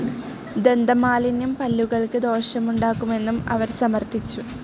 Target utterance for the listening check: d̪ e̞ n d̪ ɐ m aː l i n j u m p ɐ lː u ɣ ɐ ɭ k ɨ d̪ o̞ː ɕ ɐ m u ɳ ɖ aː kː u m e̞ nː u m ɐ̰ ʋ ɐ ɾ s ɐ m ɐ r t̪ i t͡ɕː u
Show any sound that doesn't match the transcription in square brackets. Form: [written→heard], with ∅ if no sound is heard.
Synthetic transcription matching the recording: d̪ e̞ n d̪ ɐ m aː l i n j u m p ɐ lː u ɣ ɐ ɭ k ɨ d̪ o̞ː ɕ ɐ m u ɳ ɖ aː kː u m e̞ nː u m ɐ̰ ʋ ɐ ɾ s ɐ m ɐ r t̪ i t͡ɕː u